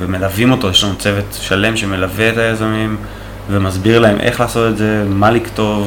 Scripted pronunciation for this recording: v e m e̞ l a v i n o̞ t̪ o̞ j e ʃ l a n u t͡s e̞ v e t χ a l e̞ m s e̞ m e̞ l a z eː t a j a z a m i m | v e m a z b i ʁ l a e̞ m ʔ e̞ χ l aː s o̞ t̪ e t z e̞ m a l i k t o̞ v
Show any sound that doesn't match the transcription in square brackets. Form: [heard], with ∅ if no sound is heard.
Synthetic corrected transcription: v e m e̞ l a v i [m] o̞ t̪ o̞ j e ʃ l a n u t͡s e̞ v e t [ʃ] a l e̞ m [ʃ] e̞ m e̞ l a [v] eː t a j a z a m i m | v e m a z b i ʁ l a e̞ m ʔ e̞ χ l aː s o̞ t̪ e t z e̞ m a l i k t o̞ v